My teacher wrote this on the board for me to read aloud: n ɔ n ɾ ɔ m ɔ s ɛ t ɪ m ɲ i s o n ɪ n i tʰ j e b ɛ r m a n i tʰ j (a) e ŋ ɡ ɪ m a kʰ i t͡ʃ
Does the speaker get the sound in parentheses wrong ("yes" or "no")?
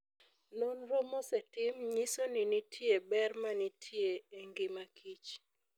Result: yes